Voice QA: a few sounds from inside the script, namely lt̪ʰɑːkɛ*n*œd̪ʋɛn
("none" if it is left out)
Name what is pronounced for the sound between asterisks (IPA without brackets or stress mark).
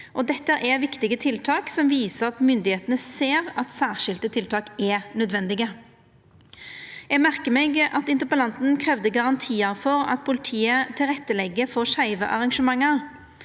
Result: n